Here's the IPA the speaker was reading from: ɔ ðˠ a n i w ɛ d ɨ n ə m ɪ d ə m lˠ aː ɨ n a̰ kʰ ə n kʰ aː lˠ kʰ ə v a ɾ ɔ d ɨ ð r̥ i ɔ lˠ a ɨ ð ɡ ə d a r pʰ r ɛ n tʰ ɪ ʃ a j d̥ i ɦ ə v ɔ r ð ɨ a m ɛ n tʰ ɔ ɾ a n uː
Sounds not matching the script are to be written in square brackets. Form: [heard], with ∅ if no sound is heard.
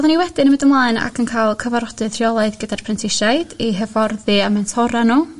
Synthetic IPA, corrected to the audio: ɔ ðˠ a n i w ɛ d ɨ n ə m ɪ d ə m lˠ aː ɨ n a̰ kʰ ə n kʰ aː lˠ kʰ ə v a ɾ ɔ d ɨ ð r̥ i ɔ lˠ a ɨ ð ɡ ə d a r pʰ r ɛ n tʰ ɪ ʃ a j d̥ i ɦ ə v ɔ r ð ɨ a m ɛ n tʰ ɔ ɾ a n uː